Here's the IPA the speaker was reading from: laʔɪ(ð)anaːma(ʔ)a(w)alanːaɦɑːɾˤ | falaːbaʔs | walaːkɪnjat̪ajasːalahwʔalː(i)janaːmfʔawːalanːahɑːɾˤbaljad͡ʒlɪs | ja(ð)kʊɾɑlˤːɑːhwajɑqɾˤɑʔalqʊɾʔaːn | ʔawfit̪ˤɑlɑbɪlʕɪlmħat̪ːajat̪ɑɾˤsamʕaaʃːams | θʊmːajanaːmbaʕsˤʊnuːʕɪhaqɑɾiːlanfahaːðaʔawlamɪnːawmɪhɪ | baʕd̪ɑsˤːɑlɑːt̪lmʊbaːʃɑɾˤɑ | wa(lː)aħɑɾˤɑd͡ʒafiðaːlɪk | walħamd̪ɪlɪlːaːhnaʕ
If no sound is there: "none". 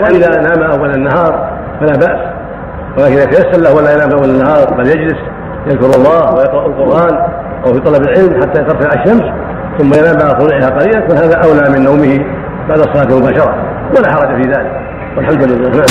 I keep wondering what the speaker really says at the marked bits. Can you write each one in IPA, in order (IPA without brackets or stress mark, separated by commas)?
ð, ʔ, wː, a, ð, l